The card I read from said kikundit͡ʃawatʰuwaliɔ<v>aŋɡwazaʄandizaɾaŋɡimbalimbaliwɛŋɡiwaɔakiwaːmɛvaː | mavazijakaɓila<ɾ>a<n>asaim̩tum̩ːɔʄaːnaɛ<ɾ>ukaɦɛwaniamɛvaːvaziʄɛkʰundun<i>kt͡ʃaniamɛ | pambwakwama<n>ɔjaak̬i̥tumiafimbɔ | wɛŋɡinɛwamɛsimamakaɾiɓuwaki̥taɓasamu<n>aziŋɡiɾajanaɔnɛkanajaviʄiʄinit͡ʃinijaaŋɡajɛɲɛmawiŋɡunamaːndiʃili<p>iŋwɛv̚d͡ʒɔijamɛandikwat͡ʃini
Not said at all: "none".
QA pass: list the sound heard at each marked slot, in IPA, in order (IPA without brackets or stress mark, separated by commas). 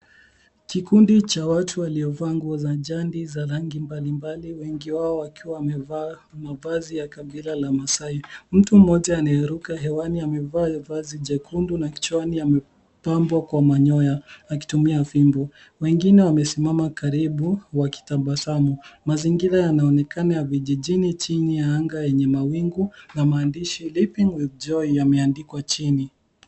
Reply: v, l, m, ɾ, a, ɲ, m, p